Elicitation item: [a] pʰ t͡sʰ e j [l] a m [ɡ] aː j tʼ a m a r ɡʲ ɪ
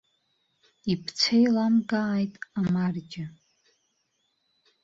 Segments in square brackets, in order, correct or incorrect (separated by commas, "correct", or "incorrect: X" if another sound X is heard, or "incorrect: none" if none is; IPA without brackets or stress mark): incorrect: i, correct, correct